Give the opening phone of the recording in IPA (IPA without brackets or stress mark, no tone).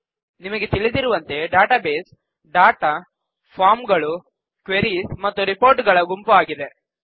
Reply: n